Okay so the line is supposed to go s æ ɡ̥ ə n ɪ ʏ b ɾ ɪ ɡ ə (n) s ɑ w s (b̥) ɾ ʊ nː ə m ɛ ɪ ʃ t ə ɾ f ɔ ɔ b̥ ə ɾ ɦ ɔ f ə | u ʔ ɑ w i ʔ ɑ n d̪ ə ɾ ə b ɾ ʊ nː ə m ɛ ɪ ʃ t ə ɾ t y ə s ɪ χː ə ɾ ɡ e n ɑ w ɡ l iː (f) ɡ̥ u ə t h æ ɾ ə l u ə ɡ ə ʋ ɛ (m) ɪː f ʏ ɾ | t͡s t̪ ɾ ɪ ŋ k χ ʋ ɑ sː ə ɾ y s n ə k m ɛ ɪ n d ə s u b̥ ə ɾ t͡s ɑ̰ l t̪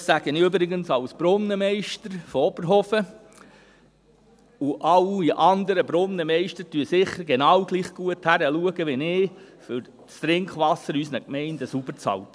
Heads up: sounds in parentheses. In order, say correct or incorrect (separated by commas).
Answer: correct, correct, incorrect, incorrect